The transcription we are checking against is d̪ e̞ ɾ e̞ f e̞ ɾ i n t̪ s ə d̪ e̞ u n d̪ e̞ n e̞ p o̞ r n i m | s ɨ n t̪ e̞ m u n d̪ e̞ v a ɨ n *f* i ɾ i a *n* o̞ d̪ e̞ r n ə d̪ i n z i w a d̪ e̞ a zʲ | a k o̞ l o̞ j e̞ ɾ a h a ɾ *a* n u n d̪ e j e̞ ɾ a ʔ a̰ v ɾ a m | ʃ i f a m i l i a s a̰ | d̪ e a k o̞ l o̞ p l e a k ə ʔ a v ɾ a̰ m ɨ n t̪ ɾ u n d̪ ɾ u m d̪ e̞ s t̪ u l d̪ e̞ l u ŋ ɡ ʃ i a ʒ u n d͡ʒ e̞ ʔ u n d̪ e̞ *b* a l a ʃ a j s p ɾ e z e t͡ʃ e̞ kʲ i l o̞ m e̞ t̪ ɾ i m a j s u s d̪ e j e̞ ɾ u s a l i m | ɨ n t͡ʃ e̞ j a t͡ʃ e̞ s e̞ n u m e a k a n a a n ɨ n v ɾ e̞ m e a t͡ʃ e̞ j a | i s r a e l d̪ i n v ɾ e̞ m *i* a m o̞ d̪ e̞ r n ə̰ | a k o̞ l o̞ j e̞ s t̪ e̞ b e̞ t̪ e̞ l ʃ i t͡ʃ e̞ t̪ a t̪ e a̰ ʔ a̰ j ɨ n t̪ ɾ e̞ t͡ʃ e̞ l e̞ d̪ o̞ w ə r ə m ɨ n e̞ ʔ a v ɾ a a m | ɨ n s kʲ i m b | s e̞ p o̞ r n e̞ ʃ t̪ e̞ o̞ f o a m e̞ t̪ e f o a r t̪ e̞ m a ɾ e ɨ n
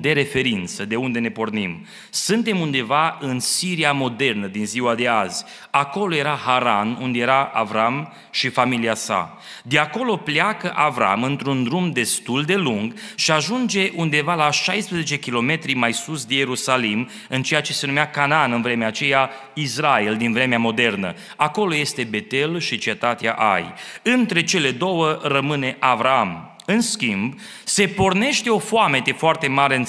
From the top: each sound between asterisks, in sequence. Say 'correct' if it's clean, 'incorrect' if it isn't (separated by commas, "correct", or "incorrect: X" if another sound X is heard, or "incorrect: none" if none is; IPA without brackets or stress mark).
incorrect: s, incorrect: m, correct, incorrect: v, incorrect: e